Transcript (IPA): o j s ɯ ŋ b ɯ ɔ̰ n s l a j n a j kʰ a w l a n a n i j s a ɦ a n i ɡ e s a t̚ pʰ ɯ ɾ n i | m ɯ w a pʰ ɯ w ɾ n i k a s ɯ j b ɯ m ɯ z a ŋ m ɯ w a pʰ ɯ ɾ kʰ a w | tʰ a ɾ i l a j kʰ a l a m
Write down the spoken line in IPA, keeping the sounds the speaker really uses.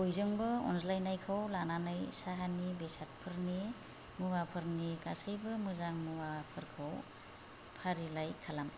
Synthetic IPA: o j z ɯ ŋ b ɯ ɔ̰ n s l a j n a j kʰ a w l a n a n a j s a ɦ a n i b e s a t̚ pʰ ɯ ɾ n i | m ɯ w a pʰ ɯ ɾ n i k a s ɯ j b ɯ m ɯ z a ŋ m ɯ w a pʰ ɯ ɾ kʰ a w | pʰ a ɾ i l a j kʰ a l a m